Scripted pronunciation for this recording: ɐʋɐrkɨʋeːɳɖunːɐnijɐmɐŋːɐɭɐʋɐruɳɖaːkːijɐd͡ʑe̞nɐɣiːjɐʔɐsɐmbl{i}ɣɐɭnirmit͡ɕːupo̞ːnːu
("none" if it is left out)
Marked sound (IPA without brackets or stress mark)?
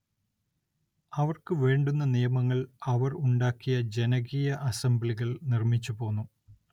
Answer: i